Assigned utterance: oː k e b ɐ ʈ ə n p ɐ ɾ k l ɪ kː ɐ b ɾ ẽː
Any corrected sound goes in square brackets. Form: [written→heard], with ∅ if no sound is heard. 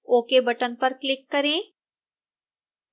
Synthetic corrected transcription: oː k e b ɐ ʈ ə n p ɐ ɾ k l ɪ kː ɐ [b→∅] ɾ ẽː